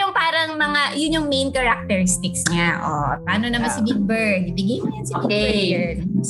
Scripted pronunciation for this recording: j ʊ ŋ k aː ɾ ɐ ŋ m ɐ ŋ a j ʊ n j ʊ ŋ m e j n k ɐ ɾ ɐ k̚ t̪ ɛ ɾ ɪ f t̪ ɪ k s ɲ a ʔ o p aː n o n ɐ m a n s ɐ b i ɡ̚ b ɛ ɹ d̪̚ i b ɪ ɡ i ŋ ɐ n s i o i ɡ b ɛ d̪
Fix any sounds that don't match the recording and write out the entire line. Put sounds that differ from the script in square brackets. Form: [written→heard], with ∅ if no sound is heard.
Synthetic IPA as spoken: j ʊ ŋ [k→p] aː ɾ ɐ ŋ m ɐ ŋ a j ʊ n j ʊ ŋ m e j n k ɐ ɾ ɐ k̚ t̪ ɛ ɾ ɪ [f→s] t̪ ɪ k s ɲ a ʔ o p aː n o n ɐ m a n s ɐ b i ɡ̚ b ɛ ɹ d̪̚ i b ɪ ɡ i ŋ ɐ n s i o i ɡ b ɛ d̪